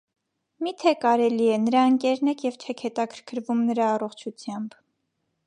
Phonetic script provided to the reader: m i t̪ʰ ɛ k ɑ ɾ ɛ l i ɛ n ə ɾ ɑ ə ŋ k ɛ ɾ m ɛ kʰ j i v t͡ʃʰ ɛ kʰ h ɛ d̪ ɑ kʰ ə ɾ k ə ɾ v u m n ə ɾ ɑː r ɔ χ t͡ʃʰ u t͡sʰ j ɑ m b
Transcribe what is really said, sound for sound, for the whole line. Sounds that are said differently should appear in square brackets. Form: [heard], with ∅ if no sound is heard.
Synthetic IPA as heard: m i t̪ʰ ɛ k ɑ ɾ ɛ l i ɛ n ə ɾ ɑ ə ŋ k ɛ ɾ [n] ɛ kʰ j [ɛ] v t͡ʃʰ ɛ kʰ h ɛ [t̪] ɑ kʰ ə ɾ [kʰ] ə ɾ v u m n ə ɾ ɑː r ɔ χ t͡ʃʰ u t͡sʰ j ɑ m b